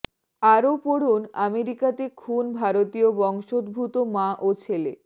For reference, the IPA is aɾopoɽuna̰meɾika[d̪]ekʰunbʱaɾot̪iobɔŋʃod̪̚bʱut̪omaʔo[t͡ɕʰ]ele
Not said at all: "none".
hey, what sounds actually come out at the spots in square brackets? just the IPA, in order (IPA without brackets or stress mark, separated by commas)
t̪, t͡ɕʰ